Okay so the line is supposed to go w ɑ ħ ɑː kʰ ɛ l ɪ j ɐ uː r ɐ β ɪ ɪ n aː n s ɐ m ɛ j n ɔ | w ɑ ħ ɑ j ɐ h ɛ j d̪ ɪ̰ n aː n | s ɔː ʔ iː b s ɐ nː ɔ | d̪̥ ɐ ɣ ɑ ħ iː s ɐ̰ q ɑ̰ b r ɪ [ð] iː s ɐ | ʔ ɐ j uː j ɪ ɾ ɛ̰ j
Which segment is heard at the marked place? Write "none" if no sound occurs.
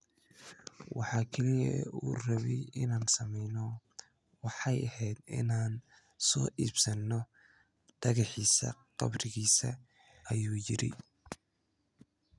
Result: ɣ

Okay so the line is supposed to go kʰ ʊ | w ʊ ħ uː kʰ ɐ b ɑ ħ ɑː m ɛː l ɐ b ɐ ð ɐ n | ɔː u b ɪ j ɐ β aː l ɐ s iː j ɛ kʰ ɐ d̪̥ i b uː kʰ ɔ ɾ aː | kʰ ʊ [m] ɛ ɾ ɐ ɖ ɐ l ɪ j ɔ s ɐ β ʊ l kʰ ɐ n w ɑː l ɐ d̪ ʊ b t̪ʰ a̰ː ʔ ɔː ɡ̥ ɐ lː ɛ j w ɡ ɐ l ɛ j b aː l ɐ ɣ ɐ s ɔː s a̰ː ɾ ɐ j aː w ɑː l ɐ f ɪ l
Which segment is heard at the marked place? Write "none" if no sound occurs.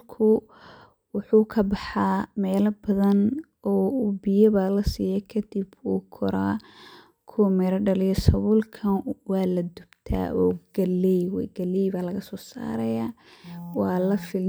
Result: m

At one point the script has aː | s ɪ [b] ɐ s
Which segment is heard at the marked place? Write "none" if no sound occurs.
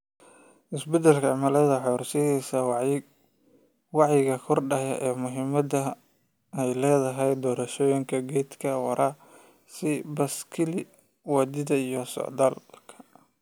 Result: b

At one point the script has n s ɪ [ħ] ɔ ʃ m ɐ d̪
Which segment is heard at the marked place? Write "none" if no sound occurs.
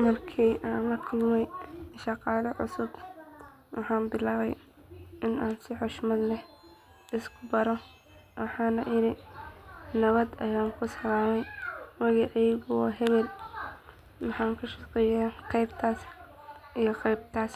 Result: ħ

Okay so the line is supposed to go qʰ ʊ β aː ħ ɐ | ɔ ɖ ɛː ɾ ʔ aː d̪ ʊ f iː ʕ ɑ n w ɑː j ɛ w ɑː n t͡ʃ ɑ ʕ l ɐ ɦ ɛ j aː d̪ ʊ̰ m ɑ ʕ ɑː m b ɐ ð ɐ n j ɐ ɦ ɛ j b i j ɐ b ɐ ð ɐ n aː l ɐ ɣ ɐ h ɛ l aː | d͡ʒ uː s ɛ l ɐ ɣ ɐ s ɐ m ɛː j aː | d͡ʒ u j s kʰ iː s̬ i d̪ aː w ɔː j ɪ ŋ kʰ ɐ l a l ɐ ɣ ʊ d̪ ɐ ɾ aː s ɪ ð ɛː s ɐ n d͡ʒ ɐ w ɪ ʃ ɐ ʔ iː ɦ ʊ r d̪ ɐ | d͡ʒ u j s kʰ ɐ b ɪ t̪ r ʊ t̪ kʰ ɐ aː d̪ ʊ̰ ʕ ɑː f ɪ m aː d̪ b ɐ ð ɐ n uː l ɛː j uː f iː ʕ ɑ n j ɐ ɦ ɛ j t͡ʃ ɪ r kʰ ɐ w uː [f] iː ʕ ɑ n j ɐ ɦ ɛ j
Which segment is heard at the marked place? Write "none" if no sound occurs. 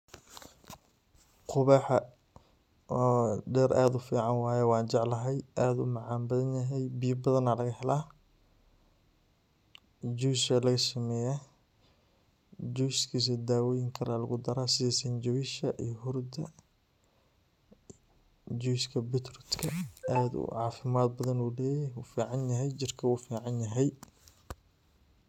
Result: f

